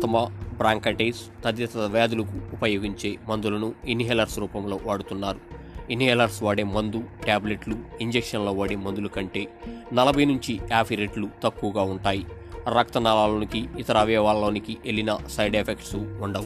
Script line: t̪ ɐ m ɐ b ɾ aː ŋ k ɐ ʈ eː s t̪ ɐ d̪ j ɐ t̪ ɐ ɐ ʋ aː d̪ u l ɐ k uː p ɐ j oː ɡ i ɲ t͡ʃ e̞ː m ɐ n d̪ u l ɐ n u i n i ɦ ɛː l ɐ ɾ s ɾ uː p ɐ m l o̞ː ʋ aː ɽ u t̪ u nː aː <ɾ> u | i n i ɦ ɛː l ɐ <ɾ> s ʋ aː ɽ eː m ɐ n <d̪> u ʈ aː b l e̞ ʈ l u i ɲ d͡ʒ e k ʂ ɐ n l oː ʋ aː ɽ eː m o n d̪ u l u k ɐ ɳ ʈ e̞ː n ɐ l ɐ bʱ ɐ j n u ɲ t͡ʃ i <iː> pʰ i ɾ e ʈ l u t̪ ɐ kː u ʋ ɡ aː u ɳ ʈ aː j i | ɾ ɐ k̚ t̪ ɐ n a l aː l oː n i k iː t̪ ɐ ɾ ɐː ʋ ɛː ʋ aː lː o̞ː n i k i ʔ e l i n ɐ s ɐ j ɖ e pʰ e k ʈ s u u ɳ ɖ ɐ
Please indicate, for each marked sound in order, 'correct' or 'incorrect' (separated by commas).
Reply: correct, correct, correct, incorrect